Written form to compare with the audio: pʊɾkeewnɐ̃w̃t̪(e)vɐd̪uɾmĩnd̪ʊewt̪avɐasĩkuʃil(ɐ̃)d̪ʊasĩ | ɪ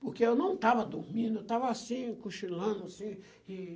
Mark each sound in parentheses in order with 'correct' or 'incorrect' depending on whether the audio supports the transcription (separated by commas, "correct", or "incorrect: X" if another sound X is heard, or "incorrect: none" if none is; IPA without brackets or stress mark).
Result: incorrect: a, correct